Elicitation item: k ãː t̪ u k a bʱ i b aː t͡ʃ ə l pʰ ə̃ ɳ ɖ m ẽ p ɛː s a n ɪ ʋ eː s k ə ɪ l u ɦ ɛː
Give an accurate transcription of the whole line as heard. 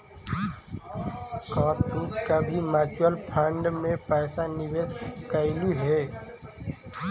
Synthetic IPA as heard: k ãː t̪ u k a bʱ i m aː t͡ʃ ə l pʰ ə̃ ɳ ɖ m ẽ p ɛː s a n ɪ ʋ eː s k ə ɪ l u ɦ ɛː